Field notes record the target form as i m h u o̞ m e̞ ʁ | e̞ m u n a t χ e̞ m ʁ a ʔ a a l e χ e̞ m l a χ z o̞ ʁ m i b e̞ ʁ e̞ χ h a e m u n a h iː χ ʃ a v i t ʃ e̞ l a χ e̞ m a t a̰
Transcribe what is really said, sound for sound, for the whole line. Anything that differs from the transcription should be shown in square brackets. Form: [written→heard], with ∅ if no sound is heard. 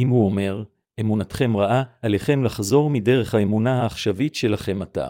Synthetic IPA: i m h u o̞ m e̞ ʁ | e̞ m u n a t χ e̞ m ʁ a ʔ a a l e χ e̞ m l a χ z o̞ ʁ m i [b→d] e̞ ʁ e̞ χ h a e m u n a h [iː→aː] χ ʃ a v i t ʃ e̞ l a χ e̞ m a t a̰